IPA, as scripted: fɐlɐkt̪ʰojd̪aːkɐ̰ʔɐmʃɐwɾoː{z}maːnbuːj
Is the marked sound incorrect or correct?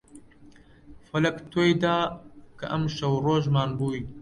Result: incorrect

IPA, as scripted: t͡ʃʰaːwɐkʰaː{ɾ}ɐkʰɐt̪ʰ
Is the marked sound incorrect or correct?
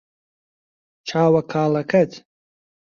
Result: incorrect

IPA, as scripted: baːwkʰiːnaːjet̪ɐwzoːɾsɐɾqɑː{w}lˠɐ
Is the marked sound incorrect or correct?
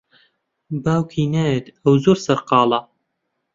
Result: incorrect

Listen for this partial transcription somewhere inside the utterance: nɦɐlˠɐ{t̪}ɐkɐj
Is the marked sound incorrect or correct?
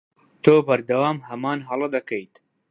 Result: incorrect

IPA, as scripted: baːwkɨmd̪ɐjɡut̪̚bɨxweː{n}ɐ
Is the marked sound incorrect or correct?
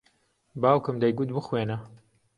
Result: correct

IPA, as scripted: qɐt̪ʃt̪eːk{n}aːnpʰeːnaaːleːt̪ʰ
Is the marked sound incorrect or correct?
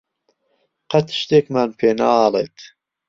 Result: incorrect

